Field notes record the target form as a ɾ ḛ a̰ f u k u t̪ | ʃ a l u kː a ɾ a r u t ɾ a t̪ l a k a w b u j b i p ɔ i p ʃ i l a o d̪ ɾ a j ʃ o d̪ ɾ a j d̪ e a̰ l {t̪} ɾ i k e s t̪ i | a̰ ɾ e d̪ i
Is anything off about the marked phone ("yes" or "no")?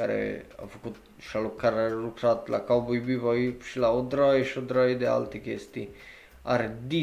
no